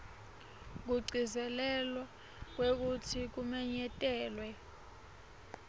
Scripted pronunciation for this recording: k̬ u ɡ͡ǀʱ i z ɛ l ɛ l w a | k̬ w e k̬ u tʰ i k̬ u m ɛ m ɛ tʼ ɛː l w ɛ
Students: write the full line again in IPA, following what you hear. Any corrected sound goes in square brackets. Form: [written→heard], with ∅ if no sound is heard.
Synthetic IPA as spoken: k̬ u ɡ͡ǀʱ i z ɛ l ɛ l w a | k̬ w e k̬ u tʰ i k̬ u m ɛ [m→ɲ] ɛ tʼ ɛː l w ɛ